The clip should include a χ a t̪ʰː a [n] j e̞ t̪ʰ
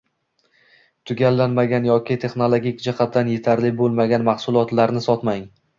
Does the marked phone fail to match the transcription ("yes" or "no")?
no